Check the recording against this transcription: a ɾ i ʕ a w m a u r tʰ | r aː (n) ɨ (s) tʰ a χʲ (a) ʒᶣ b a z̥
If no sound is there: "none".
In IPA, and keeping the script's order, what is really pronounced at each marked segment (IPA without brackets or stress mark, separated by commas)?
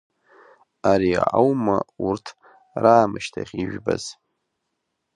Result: m, ʃ, i